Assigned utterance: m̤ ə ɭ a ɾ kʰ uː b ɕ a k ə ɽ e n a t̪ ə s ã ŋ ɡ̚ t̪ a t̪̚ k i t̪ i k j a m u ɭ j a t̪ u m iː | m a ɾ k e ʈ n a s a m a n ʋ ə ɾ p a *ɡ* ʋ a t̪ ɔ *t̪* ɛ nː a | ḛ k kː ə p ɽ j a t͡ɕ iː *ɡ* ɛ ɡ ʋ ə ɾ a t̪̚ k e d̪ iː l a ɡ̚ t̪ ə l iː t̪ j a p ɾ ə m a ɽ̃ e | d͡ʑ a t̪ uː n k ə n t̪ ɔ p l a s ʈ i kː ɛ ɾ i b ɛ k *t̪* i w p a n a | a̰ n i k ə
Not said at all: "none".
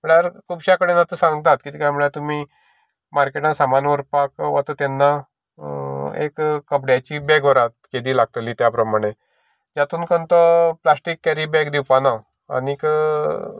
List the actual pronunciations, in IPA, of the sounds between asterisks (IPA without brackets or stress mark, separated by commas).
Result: k, t̪, b, d̪